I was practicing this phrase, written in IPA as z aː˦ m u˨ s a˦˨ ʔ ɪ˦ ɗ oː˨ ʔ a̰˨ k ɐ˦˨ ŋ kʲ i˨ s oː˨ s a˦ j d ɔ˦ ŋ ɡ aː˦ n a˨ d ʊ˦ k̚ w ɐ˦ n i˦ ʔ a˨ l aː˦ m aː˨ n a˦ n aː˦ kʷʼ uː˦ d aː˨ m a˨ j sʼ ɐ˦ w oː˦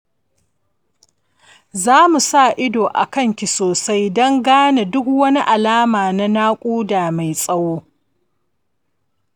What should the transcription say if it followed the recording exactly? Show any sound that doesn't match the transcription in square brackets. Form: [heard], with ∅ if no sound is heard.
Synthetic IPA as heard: z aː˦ m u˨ s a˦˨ ʔ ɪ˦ [d] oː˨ ʔ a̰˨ k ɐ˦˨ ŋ kʲ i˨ s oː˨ s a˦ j d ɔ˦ ŋ ɡ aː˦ n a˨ d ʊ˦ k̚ w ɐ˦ n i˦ ʔ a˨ l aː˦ m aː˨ n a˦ n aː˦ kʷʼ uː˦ d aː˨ m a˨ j sʼ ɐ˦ w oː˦